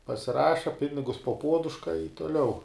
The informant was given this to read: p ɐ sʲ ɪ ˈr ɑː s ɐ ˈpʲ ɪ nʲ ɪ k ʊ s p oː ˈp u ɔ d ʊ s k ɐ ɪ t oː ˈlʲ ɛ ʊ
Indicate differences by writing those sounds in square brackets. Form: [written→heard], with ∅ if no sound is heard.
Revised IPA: p ɐ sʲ ɪ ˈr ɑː [s→ʃ] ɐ ˈpʲ ɪ nʲ ɪ [k→ɡ] ʊ s p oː ˈp u ɔ d ʊ [s→ʃ] k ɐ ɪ t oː ˈlʲ ɛ ʊ